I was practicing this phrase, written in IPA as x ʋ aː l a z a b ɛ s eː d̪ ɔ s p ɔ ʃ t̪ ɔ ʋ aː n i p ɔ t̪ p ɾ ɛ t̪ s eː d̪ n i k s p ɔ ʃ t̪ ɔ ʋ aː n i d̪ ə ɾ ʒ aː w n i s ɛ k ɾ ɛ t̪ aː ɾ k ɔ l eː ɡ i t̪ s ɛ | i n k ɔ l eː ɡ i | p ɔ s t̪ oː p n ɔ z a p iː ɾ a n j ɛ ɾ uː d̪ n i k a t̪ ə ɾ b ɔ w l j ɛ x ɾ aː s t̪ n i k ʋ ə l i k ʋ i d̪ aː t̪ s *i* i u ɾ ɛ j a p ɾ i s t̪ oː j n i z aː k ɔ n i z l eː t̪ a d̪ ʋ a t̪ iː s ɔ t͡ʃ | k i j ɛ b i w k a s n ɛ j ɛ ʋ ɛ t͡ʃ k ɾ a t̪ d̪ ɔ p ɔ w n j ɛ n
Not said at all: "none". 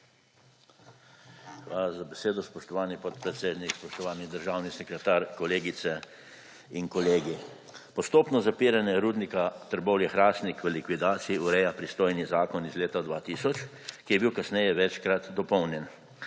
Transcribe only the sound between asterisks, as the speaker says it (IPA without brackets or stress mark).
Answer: i